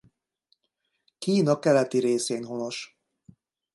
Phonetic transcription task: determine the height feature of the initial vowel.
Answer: high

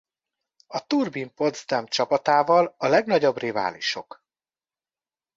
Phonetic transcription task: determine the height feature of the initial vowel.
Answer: low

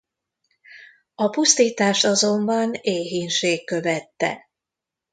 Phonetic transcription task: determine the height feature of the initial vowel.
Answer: low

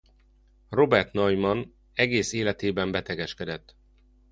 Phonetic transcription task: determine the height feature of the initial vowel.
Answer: mid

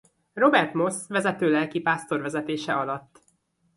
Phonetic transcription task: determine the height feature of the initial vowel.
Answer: mid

